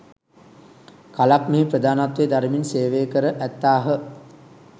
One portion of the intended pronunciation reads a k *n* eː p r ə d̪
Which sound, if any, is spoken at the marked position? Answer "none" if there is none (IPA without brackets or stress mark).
m